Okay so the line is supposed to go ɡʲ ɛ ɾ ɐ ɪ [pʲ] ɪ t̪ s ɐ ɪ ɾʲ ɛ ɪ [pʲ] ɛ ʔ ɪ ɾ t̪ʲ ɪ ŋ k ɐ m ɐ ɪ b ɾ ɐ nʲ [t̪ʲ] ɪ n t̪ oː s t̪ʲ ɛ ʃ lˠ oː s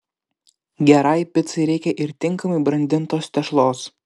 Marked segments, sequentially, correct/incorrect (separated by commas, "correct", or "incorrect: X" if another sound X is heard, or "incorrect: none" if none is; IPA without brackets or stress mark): correct, incorrect: kʲ, incorrect: d̪ʲ